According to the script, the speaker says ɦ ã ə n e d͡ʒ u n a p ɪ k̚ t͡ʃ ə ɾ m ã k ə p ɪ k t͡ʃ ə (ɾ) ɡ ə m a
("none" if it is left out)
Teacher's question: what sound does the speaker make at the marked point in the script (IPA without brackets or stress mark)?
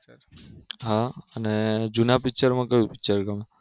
ɾ